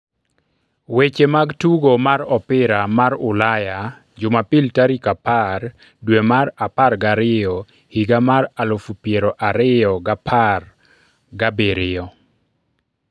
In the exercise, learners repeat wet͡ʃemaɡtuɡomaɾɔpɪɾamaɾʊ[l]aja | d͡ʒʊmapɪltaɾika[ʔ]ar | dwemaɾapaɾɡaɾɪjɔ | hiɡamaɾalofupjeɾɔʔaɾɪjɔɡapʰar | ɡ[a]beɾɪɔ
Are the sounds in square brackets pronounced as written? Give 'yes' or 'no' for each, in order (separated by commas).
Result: yes, no, yes